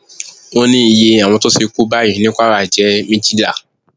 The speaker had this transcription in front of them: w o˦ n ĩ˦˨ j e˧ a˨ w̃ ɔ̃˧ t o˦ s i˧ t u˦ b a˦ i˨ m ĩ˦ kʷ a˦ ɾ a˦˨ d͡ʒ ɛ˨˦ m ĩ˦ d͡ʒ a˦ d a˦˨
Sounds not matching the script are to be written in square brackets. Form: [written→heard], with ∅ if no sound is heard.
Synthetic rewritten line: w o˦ n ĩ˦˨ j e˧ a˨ w̃ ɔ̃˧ t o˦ s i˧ [t→k] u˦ b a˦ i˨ [m→n] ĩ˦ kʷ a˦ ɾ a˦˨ d͡ʒ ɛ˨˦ m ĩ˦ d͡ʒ [a˦→i˦] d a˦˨